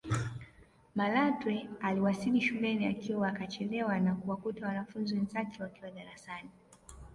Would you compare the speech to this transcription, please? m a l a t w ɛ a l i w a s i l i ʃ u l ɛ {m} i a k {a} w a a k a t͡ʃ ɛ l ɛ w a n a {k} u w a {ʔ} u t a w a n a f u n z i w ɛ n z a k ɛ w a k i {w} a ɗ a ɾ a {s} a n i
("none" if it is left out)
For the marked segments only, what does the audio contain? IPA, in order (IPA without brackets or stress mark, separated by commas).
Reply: n, i, k, k, w, s